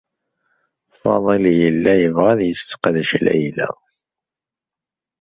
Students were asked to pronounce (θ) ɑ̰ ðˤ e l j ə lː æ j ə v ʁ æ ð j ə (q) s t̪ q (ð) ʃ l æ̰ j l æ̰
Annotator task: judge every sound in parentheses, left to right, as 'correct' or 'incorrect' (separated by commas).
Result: incorrect, incorrect, correct